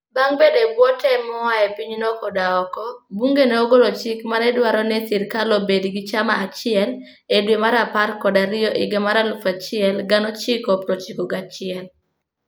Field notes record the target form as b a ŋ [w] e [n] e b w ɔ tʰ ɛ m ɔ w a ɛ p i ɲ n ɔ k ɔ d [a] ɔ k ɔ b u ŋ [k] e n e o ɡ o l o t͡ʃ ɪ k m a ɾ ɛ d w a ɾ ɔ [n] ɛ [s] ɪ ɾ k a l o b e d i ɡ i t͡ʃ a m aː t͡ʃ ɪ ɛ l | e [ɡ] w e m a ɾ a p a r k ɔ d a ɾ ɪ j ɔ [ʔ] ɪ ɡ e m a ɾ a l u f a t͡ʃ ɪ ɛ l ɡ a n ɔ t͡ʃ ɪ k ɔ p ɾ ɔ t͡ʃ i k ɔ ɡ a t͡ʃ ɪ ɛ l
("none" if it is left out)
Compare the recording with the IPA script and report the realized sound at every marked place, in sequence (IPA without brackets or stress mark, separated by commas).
b, d, a, ɡ, n, s, d, ʔ